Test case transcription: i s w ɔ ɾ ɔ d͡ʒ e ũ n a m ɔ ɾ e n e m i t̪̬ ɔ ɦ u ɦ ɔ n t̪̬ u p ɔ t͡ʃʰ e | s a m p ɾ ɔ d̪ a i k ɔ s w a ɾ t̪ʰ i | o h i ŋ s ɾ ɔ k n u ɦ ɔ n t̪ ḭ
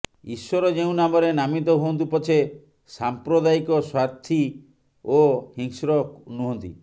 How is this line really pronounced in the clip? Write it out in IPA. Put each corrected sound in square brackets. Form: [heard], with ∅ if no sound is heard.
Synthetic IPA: i s w ɔ ɾ ɔ d͡ʒ e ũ n a m ɔ ɾ e n [a] m i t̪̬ ɔ ɦ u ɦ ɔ n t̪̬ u p ɔ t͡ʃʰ e | s a m p ɾ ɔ d̪ a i k ɔ s w a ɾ t̪ʰ i | o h i ŋ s ɾ ɔ k n u ɦ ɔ n t̪ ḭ